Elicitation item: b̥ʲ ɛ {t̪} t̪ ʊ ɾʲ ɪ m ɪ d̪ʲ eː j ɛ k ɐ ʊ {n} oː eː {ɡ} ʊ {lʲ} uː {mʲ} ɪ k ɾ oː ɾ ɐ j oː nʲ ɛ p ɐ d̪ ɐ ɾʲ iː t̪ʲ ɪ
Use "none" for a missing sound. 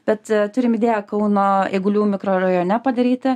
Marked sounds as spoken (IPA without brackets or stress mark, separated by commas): t̪, n, ɡ, lʲ, mʲ